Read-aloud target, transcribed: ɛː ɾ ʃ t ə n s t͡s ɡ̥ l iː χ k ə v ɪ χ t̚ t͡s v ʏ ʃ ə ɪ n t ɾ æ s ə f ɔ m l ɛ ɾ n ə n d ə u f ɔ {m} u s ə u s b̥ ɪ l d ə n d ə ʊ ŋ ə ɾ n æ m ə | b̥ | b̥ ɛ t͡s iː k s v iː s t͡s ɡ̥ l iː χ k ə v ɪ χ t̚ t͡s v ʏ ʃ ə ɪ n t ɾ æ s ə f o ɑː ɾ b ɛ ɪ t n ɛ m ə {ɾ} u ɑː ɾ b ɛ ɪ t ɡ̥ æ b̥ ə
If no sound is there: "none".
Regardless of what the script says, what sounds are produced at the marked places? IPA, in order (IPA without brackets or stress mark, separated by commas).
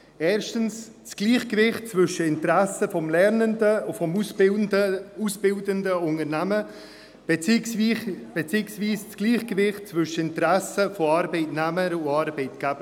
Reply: m, ɾ